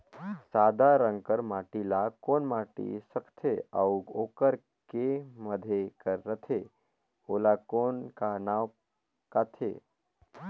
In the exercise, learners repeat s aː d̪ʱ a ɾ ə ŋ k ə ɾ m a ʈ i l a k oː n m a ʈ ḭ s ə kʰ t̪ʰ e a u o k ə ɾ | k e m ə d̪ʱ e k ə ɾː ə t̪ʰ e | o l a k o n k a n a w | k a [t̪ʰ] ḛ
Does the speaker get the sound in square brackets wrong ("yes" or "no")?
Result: no